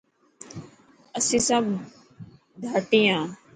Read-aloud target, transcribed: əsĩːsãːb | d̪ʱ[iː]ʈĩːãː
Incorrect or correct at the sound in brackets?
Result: incorrect: aː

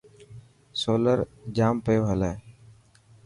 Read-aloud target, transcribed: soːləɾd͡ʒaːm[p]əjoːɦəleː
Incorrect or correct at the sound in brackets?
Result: correct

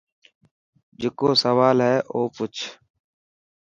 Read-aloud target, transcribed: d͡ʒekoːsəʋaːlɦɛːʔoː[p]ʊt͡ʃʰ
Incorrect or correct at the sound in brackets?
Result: correct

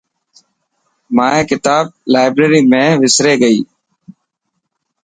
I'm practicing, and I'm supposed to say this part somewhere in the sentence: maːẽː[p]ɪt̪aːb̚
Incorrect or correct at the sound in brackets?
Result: incorrect: k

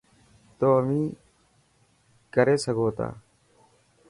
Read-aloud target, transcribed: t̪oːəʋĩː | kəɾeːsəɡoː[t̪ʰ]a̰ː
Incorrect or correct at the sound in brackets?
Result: incorrect: t̪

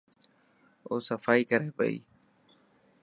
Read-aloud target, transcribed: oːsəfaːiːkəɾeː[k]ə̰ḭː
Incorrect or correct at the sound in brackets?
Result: incorrect: p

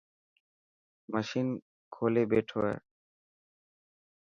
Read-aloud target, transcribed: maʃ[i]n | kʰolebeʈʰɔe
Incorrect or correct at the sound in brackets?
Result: correct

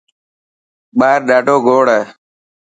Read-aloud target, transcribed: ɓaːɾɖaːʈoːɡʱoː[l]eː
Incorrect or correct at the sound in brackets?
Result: incorrect: ɽ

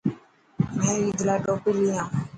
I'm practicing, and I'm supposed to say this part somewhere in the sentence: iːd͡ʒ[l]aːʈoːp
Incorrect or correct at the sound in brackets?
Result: correct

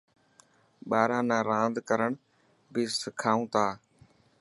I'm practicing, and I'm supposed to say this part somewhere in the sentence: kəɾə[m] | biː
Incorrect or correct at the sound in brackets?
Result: incorrect: ɳ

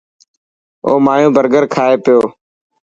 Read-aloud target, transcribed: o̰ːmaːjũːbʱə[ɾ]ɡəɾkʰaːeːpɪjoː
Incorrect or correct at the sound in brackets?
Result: correct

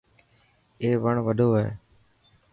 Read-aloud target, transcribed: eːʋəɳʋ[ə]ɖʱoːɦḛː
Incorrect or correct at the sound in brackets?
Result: correct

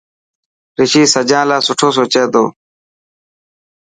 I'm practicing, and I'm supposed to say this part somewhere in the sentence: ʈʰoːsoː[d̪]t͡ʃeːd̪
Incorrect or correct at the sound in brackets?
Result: incorrect: none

